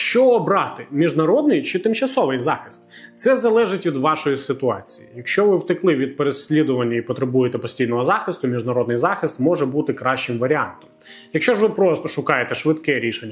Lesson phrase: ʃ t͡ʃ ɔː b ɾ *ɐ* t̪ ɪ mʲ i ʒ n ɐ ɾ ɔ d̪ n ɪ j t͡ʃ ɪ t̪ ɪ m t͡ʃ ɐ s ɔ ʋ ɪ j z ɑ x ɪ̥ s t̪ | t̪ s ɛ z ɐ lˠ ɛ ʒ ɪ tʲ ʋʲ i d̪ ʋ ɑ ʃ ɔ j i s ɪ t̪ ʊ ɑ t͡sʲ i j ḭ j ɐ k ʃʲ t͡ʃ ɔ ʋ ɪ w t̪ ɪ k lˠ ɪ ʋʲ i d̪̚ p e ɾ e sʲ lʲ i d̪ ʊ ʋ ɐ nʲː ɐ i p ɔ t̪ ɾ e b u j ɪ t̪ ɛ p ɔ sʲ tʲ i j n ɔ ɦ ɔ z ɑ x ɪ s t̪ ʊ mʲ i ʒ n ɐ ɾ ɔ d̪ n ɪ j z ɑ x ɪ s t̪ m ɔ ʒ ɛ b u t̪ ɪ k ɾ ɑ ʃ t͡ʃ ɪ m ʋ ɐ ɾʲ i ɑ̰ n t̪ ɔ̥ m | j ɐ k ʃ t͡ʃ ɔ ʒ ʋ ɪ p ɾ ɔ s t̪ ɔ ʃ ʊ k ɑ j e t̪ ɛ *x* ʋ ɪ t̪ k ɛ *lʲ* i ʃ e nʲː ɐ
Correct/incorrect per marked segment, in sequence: incorrect: ɑ, incorrect: ʃ, incorrect: ɾʲ

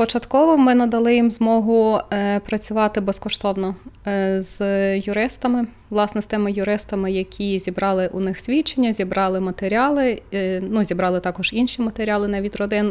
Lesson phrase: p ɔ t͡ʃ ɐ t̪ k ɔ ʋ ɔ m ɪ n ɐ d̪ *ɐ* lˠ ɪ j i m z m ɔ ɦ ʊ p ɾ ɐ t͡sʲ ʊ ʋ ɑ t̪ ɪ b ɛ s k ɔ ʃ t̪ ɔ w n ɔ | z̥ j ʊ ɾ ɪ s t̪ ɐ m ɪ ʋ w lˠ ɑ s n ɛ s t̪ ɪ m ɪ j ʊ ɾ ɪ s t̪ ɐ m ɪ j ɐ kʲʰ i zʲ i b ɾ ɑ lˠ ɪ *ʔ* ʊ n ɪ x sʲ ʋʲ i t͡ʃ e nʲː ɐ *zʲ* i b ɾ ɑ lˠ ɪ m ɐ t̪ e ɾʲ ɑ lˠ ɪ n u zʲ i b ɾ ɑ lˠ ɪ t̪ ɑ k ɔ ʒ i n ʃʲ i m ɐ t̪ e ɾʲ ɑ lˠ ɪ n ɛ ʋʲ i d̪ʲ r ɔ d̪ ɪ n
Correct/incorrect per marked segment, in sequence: correct, correct, correct

